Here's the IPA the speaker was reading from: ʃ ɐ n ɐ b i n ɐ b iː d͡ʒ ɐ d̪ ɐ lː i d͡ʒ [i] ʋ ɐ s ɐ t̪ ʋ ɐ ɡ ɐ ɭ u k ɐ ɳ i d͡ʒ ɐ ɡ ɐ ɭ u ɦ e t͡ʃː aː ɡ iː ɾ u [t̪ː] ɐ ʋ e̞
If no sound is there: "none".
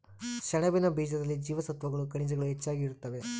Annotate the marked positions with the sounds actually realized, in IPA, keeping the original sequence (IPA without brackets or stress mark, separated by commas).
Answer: iː, t̪ː